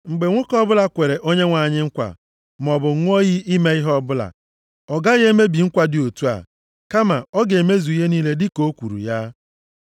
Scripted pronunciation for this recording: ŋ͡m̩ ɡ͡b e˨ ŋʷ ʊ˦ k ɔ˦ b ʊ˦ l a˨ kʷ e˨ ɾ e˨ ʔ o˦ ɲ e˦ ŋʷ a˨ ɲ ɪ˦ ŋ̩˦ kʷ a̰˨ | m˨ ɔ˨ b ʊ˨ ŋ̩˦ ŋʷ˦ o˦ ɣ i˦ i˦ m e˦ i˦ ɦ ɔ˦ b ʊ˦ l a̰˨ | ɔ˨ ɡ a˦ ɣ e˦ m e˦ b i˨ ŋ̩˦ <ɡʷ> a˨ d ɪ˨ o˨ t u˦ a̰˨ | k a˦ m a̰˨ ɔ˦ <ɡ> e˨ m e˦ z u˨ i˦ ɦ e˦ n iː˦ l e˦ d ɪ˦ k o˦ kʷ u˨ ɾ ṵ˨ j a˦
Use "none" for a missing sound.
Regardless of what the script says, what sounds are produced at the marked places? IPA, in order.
kʷ, ɡ

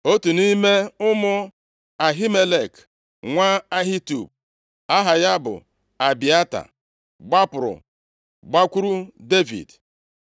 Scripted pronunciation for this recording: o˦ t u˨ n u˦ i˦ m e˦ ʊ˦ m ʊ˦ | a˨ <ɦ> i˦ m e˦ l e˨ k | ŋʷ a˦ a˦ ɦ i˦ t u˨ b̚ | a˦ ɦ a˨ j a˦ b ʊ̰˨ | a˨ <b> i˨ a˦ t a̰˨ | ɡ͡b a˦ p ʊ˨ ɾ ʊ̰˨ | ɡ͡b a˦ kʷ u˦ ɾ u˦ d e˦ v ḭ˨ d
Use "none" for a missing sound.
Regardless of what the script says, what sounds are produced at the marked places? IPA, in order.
ɦ, b

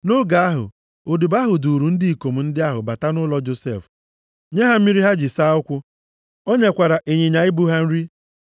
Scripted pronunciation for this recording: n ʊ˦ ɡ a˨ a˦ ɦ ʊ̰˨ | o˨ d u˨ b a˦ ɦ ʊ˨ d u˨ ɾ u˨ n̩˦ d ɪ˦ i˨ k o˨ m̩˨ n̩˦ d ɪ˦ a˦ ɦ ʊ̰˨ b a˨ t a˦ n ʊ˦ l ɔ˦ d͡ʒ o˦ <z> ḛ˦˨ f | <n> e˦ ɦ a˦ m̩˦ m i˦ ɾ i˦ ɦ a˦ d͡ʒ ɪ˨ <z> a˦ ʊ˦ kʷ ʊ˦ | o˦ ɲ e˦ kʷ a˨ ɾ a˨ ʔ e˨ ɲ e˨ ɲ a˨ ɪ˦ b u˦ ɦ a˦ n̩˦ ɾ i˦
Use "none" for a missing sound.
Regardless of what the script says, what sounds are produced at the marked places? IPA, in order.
s, ɲ, s

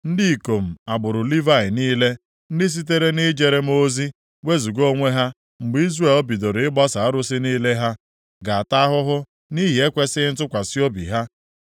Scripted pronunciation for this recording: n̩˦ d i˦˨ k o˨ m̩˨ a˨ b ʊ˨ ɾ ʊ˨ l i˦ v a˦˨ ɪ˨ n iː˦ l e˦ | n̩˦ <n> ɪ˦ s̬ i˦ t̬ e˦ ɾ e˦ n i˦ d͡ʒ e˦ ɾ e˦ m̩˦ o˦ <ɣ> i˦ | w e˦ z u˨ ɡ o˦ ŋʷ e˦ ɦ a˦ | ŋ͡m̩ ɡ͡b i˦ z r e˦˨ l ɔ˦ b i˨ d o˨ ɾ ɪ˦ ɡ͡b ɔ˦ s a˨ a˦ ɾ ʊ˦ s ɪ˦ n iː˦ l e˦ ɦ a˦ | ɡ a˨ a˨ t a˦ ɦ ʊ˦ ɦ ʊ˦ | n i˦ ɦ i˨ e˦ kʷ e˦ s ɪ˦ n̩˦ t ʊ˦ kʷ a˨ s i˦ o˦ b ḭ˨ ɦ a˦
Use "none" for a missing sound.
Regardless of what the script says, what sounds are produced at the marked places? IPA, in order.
d, z

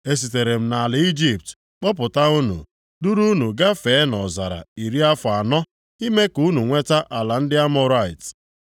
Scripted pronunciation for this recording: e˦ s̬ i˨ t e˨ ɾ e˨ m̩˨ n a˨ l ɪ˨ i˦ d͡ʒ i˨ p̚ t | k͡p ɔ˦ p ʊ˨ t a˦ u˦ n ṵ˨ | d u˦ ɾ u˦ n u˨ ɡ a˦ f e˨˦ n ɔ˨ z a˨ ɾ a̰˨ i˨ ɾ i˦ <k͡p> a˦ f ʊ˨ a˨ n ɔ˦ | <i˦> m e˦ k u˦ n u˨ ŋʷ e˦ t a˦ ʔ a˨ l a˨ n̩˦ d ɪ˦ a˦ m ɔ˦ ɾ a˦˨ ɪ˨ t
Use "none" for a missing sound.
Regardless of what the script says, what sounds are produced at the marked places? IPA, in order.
none, i˦

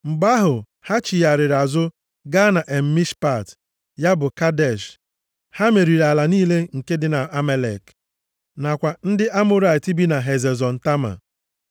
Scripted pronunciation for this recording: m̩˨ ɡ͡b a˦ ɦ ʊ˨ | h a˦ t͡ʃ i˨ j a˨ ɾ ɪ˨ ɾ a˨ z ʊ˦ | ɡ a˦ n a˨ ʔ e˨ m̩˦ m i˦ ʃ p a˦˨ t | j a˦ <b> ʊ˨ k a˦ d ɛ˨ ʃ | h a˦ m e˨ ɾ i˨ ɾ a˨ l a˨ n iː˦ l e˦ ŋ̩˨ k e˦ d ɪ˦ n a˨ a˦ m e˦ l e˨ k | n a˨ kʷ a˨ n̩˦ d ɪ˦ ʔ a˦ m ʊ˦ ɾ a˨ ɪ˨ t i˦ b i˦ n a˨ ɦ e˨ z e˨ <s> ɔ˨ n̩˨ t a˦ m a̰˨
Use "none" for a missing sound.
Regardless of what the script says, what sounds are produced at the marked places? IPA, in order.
b, z

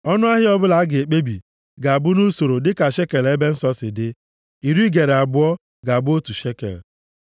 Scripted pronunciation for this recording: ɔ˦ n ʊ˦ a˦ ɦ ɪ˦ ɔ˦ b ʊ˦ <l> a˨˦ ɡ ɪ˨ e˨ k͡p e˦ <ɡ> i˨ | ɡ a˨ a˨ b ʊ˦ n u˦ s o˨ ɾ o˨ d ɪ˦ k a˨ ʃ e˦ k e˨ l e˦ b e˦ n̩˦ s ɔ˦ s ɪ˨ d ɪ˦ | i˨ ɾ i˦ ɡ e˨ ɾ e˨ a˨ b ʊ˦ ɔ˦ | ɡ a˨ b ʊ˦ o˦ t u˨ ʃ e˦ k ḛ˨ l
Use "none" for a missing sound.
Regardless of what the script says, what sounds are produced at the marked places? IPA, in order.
l, b

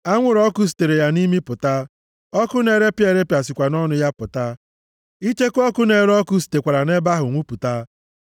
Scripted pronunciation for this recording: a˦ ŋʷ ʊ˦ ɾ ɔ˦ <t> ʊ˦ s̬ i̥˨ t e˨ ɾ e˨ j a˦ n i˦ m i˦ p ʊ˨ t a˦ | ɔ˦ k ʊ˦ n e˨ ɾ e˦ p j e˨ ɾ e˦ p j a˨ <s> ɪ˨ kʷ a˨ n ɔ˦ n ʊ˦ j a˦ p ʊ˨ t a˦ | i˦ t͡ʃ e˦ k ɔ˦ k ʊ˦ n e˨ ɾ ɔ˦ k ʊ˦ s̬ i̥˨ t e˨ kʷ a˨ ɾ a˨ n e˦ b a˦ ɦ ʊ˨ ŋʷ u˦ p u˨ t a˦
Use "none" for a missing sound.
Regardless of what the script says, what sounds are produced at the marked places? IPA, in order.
k, s

